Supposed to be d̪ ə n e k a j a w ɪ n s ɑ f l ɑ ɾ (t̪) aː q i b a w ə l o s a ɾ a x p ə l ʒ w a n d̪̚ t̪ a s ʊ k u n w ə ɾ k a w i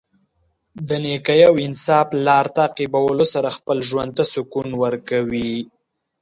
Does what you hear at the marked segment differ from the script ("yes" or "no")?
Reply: no